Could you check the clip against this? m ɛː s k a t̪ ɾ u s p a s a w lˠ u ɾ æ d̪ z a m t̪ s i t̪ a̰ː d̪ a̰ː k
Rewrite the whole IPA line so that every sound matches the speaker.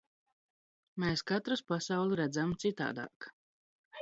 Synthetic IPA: m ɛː s k a t̪ ɾ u s p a s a w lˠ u ɾ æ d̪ z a m t̪ s i t̪ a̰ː d̪ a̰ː k

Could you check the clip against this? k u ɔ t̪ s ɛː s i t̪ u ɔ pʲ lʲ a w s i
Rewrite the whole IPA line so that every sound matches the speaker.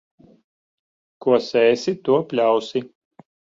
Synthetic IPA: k u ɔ s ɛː s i t̪ u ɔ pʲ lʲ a w s i

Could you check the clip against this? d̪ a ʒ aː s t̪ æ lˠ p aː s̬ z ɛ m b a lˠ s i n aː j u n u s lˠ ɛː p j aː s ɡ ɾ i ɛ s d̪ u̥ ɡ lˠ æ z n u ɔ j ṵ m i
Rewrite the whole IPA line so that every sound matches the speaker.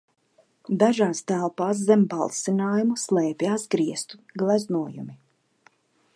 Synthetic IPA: d̪ a ʒ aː s t̪ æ lˠ p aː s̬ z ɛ m b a lˠ s i n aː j u m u s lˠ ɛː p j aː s ɡ ɾ i ɛ s t̪ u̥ ɡ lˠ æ z n u ɔ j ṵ m i

